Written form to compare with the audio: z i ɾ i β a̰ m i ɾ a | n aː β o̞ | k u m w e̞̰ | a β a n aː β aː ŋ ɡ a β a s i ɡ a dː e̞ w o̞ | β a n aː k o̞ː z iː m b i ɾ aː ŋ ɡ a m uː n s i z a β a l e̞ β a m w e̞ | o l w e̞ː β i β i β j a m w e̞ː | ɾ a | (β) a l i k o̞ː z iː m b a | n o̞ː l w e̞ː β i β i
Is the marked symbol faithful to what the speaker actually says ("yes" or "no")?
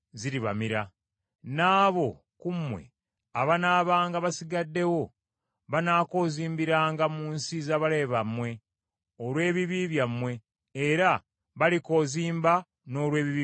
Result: yes